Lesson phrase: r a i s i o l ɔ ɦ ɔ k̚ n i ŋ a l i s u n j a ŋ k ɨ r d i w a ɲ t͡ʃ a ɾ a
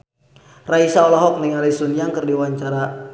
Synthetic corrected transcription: r a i s a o l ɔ ɦ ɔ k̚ n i ŋ a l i s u n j a ŋ k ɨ r d i w a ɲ t͡ʃ a ɾ a